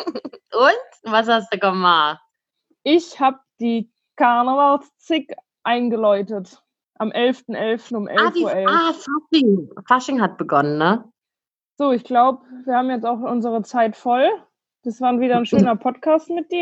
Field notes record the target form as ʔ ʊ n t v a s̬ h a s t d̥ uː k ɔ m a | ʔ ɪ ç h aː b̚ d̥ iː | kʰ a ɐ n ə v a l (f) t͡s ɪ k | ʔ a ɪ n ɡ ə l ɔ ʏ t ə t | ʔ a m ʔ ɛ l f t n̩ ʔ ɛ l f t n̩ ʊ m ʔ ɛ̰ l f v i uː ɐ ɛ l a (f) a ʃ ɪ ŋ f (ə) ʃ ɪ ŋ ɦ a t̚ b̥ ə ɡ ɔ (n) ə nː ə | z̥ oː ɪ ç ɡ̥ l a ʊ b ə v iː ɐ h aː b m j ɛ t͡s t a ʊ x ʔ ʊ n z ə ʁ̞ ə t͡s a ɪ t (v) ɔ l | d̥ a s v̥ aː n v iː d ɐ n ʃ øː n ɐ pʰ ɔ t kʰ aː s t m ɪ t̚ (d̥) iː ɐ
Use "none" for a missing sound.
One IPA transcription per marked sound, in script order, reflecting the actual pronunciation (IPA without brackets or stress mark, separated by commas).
s, f, a, n, f, d̥